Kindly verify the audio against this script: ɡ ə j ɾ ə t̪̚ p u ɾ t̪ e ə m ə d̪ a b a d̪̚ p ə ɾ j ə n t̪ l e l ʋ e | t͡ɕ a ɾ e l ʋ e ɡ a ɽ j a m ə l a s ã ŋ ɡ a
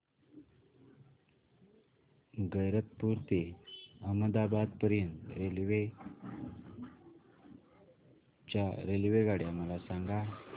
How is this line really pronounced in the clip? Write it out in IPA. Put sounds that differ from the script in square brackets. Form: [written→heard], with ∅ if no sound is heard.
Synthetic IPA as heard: ɡ ə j ɾ ə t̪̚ p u ɾ t̪ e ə m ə d̪ a b a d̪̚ p ə ɾ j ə n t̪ [l→ɾ] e l ʋ e | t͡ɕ a ɾ e l ʋ e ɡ a ɽ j a m ə l a s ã ŋ ɡ a